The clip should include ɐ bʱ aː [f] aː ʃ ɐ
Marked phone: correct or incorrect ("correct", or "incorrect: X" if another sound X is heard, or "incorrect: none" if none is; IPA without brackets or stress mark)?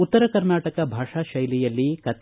incorrect: ʂ